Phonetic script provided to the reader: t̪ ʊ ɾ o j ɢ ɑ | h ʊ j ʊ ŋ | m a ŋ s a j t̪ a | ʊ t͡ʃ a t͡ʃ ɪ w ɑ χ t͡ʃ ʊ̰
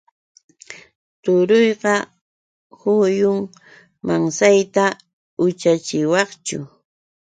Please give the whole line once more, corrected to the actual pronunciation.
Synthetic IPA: t̪ ʊ ɾ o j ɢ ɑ | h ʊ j ʊ ŋ | m a ŋ s a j t̪ a | ʊ t͡ʃ a t͡ʃ ɪ w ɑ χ t͡ʃ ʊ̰